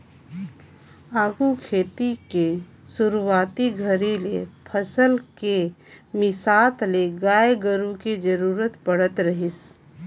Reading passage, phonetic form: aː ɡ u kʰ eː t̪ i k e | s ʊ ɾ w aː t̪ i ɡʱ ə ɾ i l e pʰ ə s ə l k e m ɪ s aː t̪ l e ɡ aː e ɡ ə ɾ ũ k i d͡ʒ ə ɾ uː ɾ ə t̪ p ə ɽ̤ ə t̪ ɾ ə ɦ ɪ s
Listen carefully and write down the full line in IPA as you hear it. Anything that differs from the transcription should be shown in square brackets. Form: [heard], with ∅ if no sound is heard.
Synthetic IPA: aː ɡ u kʰ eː t̪ i k e | s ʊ ɾ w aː t̪ i ɡʱ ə ɾ i l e pʰ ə s ə l k e m ɪ s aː t̪ l e ɡ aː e ɡ ə ɾ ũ k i d͡ʒ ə ɾ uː ɾ ə t̪ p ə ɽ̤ ə t̪ ɾ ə ɦ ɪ s